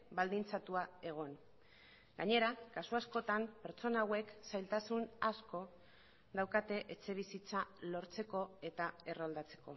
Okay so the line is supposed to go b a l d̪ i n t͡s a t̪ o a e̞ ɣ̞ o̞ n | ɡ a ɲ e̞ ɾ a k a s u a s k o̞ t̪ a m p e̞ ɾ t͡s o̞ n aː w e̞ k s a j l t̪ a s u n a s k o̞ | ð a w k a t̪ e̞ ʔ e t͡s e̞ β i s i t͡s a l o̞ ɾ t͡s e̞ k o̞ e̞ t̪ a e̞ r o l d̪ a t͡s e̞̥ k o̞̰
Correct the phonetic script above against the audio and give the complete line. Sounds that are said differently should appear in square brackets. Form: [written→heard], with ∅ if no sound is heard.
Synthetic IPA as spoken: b a l d̪ i n t͡s a t̪ [o→u] a e̞ ɣ̞ o̞ n | ɡ a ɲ e̞ ɾ a k a s u a s k o̞ t̪ a m p e̞ ɾ t͡s o̞ n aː w e̞ k s a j l t̪ a s u n a s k o̞ | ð a w k a t̪ e̞ ʔ e t͡s e̞ β i s i t͡s a l o̞ ɾ t͡s e̞ k o̞ e̞ t̪ a e̞ r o l d̪ a t͡s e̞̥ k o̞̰

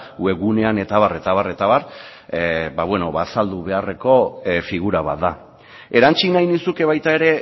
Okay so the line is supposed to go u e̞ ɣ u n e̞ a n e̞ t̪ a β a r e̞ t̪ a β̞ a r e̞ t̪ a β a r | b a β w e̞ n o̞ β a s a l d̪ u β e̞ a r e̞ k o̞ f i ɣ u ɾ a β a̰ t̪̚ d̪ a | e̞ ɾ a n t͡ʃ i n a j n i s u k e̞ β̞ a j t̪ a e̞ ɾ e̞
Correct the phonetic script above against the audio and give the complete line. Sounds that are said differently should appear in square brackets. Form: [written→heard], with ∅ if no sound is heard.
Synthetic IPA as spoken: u e̞ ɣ u n e̞ a n e̞ t̪ a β a r e̞ t̪ a β̞ a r e̞ t̪ a β a r | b a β w e̞ n o̞ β a s a l d̪ u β e̞ a r e̞ k o̞ f i ɣ u ɾ a β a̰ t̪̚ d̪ a | e̞ ɾ a n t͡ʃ i n a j n i s u k e̞ β̞ a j t̪ a e̞ ɾ e̞

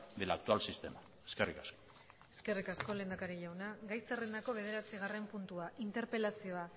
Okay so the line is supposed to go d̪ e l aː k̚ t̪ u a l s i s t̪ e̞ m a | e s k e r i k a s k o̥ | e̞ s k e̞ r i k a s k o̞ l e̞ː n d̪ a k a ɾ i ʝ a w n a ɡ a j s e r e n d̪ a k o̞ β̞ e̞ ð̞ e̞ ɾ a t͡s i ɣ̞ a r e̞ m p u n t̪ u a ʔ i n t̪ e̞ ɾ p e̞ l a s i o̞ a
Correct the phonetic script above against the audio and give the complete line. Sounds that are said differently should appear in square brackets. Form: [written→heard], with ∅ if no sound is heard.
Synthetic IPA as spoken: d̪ e l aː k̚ t̪ u a l s i s t̪ e̞ m a | e s k e r i k a s k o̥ | e̞ s k e̞ r i k a s k o̞ l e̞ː n d̪ a k a ɾ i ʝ a w n a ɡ a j s e r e n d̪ a k o̞ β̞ e̞ ð̞ e̞ ɾ a t͡s i ɣ̞ a r e̞ m p u n t̪ u a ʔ i n t̪ e̞ ɾ p e̞ l a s i o̞ a

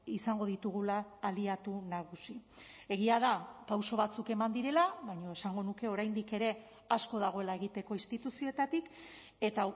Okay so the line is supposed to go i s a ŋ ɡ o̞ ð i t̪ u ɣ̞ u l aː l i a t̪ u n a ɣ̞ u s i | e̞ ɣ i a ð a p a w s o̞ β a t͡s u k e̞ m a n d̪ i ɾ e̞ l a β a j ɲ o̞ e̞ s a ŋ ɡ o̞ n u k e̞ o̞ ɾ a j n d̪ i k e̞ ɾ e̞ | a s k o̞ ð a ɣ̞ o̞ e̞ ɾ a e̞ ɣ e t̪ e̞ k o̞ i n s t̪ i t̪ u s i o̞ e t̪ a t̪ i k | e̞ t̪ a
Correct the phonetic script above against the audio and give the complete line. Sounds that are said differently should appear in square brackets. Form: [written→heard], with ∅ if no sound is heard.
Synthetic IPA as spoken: i s a ŋ ɡ o̞ ð i t̪ u ɣ̞ u l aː l i a t̪ u n a ɣ̞ u s i | e̞ ɣ i a ð a p a w s o̞ β a t͡s u k e̞ m a n d̪ i ɾ e̞ l a β a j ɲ o̞ e̞ s a ŋ ɡ o̞ n u k e̞ o̞ ɾ a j n d̪ i k e̞ ɾ e̞ | a s k o̞ ð a ɣ̞ o̞ e̞ [ɾ→l] a e̞ ɣ [e→i] t̪ e̞ k o̞ i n s t̪ i t̪ u s i o̞ e t̪ a t̪ i k | e̞ t̪ a

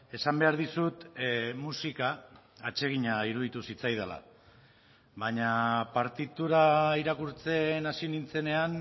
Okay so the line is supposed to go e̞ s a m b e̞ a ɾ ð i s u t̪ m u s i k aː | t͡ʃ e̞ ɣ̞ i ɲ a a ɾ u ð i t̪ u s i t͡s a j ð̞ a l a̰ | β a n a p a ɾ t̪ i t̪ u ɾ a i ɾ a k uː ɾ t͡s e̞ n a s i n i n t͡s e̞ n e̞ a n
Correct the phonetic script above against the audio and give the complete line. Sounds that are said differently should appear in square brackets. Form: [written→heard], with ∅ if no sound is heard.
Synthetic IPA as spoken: e̞ s a m b e̞ a ɾ ð i s u t̪ m u s i k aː | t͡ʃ e̞ ɣ̞ i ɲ a [a→i] ɾ u ð i t̪ u s i t͡s a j ð̞ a l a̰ | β a [n→ɲ] a p a ɾ t̪ i t̪ u ɾ a i ɾ a k [uː→u] ɾ t͡s e̞ n a s i n i n t͡s e̞ n e̞ a n

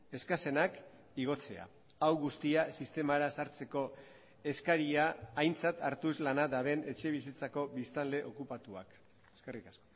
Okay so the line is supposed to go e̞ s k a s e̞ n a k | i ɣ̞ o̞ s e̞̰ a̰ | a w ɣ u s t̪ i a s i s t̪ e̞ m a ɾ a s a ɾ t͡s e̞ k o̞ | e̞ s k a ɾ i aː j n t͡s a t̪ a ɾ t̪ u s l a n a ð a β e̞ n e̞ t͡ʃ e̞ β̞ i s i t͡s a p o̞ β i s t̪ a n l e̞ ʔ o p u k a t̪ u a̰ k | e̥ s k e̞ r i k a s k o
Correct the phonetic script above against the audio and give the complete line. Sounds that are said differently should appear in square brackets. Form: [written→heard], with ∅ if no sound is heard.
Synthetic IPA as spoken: e̞ s k a s e̞ n a k | i ɣ̞ o̞ [s→t͡s] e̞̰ a̰ | a w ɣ u s t̪ i a s i s t̪ e̞ m a ɾ a s a ɾ t͡s e̞ k o̞ | e̞ s k a ɾ i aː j n t͡s a t̪ a ɾ t̪ u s l a n a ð a β e̞ n e̞ t͡ʃ e̞ β̞ i s i t͡s a [p→k] o̞ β i s t̪ a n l e̞ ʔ o [p→k] u [k→p] a t̪ u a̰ k | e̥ s k e̞ r i k a s k o

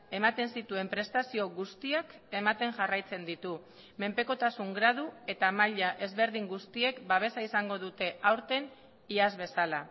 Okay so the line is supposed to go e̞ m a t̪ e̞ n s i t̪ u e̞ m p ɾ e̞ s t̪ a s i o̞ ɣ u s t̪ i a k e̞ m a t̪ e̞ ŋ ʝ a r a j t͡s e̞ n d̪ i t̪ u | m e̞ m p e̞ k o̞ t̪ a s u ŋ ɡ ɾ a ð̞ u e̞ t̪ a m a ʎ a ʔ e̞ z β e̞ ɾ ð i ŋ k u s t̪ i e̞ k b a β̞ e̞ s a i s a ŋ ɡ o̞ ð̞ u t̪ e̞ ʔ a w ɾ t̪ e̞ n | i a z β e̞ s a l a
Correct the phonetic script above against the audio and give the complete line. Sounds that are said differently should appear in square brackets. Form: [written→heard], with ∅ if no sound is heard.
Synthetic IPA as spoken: e̞ m a t̪ e̞ n s i t̪ u e̞ m p ɾ e̞ s t̪ a s i o̞ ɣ u s t̪ i a k e̞ m a t̪ e̞ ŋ ʝ a r a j t͡s e̞ n d̪ i t̪ u | m e̞ m p e̞ k o̞ t̪ a s u ŋ ɡ ɾ a ð̞ u e̞ t̪ a m a ʎ a ʔ e̞ z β e̞ ɾ ð i ŋ [k→ɡ] u s t̪ i e̞ k b a β̞ e̞ s a i s a ŋ ɡ o̞ ð̞ u t̪ e̞ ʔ a w ɾ t̪ e̞ n | i a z β e̞ s a l a

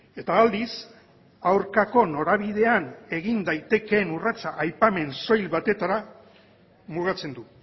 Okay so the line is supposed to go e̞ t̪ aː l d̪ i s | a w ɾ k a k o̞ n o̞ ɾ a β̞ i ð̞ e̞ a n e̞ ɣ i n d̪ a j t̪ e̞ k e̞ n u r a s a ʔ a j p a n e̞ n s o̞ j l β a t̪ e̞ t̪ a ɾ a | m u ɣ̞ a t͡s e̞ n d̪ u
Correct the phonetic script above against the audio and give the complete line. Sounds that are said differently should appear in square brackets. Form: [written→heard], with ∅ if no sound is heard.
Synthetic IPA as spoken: e̞ t̪ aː l d̪ i s | a w ɾ k a k o̞ n o̞ ɾ a β̞ i ð̞ e̞ a n e̞ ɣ i n d̪ a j t̪ e̞ k e̞ n u r a [s→t͡s] a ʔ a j p a [n→m] e̞ n s o̞ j l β a t̪ e̞ t̪ a ɾ a | m u ɣ̞ a t͡s e̞ n d̪ u

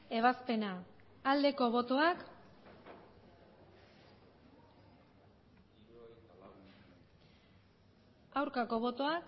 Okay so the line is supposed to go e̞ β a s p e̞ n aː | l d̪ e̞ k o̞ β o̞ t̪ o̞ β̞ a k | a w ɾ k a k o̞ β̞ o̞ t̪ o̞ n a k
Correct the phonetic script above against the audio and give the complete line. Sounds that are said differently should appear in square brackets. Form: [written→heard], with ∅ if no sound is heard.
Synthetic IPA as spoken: e̞ β a s p e̞ n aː | l d̪ e̞ k o̞ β o̞ t̪ o̞ [β̞→∅] a k | a w ɾ k a k o̞ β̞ o̞ t̪ o̞ [n→∅] a k

